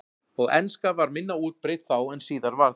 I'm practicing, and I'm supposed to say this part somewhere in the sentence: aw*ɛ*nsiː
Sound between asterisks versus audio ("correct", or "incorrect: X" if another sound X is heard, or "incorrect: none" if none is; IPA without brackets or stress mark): correct